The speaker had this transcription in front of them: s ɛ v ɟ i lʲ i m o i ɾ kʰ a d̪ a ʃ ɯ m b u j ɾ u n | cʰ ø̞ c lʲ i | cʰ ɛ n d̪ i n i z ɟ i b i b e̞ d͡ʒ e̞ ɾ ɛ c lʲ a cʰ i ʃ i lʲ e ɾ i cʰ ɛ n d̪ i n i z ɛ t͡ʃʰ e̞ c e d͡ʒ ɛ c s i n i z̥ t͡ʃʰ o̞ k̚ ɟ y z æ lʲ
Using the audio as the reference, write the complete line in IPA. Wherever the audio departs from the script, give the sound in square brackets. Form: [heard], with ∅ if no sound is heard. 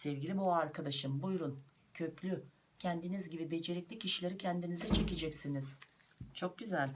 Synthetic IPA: s ɛ v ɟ i lʲ i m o [a] ɾ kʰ a d̪ a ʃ ɯ m b u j ɾ u n | cʰ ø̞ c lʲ [y] | cʰ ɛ n d̪ i n i z ɟ i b i b e̞ d͡ʒ e̞ ɾ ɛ c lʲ [i] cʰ i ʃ i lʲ e ɾ i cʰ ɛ n d̪ i n i z ɛ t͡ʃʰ e̞ c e d͡ʒ ɛ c s i n i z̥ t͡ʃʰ o̞ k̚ ɟ y z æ lʲ

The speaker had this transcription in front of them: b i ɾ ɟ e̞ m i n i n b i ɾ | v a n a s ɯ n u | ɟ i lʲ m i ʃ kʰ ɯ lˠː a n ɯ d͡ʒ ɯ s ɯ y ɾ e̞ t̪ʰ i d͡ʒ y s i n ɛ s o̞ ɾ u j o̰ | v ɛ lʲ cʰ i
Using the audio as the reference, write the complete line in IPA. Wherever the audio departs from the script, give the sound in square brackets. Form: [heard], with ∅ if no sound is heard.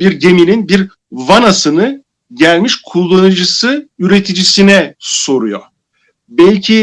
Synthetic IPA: b i ɾ ɟ e̞ m i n i n b i ɾ | v a n a s ɯ n [ɯ] | ɟ [æ] lʲ m i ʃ kʰ [u] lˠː a n ɯ d͡ʒ ɯ s ɯ y ɾ e̞ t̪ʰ i d͡ʒ [i] s i n ɛ s o̞ ɾ u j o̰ | [b] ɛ lʲ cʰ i

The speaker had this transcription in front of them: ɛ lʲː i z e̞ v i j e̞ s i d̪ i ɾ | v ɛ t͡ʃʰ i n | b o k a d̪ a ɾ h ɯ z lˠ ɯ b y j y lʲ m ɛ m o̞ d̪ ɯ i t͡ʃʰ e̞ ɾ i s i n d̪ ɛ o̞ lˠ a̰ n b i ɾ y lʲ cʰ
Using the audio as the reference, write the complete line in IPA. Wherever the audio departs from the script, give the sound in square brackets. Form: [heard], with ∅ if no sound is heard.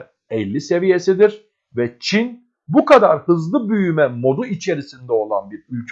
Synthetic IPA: ɛ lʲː i [s] e̞ v i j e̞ s i d̪ i ɾ | v ɛ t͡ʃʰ i n | b [u] k a d̪ a ɾ h ɯ z lˠ ɯ b y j y [∅] m ɛ m o̞ d̪ [u] i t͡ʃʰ e̞ ɾ i s i n d̪ ɛ o̞ lˠ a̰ n b i ɾ y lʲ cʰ

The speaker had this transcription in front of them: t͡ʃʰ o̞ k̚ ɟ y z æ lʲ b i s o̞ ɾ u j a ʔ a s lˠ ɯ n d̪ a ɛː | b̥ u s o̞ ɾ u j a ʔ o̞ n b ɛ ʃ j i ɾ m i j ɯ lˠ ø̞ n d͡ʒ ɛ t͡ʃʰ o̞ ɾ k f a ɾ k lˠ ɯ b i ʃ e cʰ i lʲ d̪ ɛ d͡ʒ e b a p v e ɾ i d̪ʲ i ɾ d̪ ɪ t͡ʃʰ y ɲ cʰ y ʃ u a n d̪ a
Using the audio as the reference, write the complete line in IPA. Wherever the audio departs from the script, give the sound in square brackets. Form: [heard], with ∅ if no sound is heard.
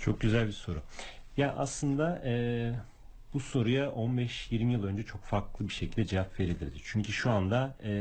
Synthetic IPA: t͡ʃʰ o̞ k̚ ɟ y z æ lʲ b i s o̞ ɾ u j a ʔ a s lˠ ɯ n d̪ a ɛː | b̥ u s o̞ ɾ u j a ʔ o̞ n b ɛ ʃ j i ɾ m i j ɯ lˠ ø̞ n d͡ʒ ɛ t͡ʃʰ o̞ [∅] k f a ɾ k lˠ ɯ b i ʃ e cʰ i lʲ d̪ ɛ d͡ʒ e [v] a p v e ɾ i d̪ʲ i ɾ d̪ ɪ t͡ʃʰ y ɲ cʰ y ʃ u a n d̪ a

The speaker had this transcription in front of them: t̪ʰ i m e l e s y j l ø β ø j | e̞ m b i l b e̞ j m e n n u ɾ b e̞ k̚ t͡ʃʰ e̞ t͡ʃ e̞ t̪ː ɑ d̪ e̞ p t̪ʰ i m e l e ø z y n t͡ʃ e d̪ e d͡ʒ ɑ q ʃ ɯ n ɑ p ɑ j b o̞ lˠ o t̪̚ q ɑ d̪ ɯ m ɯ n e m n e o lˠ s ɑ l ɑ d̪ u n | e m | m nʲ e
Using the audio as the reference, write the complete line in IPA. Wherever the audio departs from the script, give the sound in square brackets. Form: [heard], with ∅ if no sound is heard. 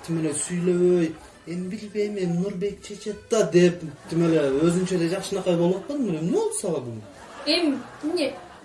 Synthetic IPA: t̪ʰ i m e l e s y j l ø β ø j | e̞ m b i l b e̞ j m e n n u ɾ b e̞ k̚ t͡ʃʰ e̞ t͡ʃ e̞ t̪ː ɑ d̪ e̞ p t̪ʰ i m e l e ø z y n t͡ʃ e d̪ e d͡ʒ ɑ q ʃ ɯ n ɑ [q] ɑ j b o̞ lˠ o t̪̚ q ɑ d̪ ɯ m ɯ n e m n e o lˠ s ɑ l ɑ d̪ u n | e m | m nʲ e

